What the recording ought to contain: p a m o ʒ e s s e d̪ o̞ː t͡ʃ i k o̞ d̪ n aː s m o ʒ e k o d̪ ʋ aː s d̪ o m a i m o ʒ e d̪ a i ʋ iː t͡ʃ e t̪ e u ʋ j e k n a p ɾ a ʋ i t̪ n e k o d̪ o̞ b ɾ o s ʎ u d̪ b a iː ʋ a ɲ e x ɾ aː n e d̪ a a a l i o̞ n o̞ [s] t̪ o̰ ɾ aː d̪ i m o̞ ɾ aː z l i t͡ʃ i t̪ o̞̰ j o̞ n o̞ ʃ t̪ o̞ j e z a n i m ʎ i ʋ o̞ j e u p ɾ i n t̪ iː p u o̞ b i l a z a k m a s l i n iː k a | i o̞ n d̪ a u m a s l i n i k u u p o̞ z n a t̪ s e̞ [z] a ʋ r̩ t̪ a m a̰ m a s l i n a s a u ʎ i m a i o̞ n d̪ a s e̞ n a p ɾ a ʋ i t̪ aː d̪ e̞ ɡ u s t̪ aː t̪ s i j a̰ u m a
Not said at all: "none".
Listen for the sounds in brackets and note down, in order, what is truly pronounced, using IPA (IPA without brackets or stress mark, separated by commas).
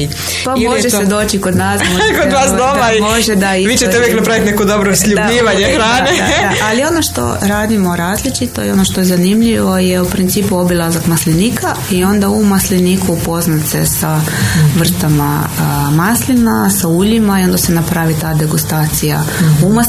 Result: ʃ, s